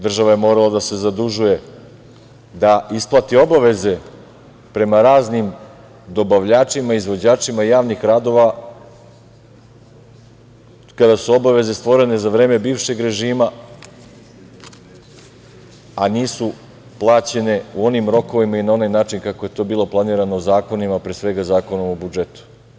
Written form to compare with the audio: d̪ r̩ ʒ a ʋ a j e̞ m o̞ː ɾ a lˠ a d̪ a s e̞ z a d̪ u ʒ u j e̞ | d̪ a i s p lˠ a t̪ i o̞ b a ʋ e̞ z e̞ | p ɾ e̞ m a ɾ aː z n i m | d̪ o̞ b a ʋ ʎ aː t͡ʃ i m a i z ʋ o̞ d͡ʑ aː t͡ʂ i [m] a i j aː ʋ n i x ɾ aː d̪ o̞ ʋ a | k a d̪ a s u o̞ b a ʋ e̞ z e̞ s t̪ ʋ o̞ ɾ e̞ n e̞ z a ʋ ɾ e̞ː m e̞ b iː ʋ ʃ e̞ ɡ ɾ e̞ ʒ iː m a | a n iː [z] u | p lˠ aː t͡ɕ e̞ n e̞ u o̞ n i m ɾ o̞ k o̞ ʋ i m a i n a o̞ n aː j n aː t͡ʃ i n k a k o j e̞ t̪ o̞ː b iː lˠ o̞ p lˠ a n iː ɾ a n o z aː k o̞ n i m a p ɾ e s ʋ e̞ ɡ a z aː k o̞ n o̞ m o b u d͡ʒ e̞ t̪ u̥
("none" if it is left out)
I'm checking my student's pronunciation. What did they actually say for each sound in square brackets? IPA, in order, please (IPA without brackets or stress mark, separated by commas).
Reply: m, s